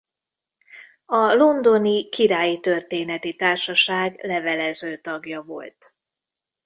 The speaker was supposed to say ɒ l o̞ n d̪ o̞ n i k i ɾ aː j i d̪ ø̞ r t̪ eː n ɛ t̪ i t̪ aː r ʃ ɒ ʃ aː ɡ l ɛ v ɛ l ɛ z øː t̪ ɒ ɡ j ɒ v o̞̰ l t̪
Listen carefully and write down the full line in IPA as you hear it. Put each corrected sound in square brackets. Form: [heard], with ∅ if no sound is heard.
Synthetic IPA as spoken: ɒ l o̞ n d̪ o̞ n i k i ɾ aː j i [t̪] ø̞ r t̪ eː n ɛ t̪ i t̪ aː r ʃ ɒ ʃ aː ɡ l ɛ v ɛ l ɛ z øː t̪ ɒ ɡ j ɒ v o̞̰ l t̪